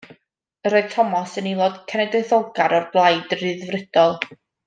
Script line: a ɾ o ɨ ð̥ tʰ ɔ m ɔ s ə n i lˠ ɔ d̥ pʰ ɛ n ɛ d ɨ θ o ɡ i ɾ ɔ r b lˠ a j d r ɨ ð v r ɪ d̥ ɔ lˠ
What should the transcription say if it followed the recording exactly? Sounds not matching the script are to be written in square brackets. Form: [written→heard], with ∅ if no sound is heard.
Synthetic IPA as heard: [a→ə] ɾ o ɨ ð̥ tʰ ɔ m ɔ s ə n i lˠ ɔ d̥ [pʰ→kʰ] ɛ n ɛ d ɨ θ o ɡ [i→a] ɾ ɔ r b lˠ a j d r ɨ ð v r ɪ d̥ ɔ lˠ